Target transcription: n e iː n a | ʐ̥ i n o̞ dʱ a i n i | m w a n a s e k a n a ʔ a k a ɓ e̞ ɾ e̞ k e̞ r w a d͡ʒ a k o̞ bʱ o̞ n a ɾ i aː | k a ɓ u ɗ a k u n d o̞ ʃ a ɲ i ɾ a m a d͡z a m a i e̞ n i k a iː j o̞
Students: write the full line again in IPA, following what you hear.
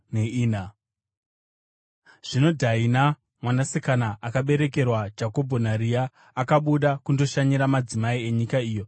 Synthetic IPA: n e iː n a | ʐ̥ i n o̞ dʱ a i n a | m w a n a s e k a n a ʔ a k a ɓ e̞ ɾ e̞ k e̞ r w a d͡ʒ a k o̞ bʱ o̞ n a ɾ i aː | k a ɓ u ɗ a k u n d o̞ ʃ a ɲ i ɾ a m a d͡z i m a i e̞ ɲ i k a iː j o̞